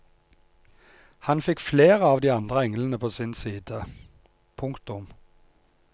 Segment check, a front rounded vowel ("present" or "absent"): absent